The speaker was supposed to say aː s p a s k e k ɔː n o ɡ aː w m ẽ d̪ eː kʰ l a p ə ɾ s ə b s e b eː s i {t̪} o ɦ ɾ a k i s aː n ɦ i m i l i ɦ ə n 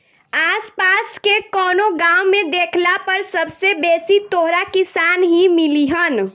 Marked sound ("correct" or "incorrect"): correct